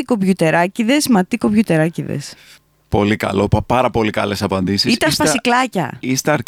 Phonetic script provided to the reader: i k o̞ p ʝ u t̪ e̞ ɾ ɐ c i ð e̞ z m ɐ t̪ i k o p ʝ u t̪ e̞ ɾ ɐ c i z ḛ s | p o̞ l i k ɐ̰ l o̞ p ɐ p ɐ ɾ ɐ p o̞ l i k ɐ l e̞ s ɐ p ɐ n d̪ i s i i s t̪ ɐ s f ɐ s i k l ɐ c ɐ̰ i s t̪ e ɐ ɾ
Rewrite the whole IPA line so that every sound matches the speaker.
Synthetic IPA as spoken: i k o̞ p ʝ u t̪ e̞ ɾ ɐ c i ð e̞ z m ɐ t̪ i k o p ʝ u t̪ e̞ ɾ ɐ c i ð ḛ s | p o̞ l i k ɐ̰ l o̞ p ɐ p ɐ ɾ ɐ p o̞ l i k ɐ l e̞ s ɐ p ɐ n d̪ i s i i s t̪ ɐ s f ɐ s i k l ɐ c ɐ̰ i s t̪ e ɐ ɾ